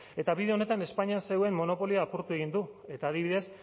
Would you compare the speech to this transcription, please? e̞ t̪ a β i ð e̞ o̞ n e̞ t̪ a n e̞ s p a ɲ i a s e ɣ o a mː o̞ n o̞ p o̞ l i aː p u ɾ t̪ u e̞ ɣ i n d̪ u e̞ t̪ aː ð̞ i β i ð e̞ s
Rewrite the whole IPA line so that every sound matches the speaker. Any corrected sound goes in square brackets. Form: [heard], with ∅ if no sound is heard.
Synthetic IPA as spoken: e̞ t̪ a β i ð e̞ o̞ n e̞ t̪ a n e̞ s p a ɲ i a s e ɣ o [e] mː o̞ n o̞ p o̞ l i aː p u ɾ t̪ u e̞ ɣ i n d̪ u e̞ t̪ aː ð̞ i β i ð e̞ s